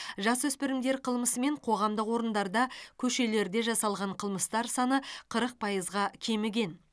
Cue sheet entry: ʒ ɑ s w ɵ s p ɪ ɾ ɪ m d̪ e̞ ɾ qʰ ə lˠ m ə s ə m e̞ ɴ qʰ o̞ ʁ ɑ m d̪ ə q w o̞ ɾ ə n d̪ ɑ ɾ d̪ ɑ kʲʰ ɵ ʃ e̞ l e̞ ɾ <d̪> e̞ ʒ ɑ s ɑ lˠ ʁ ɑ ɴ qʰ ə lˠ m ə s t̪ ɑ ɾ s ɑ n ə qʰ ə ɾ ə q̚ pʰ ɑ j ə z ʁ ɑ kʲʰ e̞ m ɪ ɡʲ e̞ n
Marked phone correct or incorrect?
correct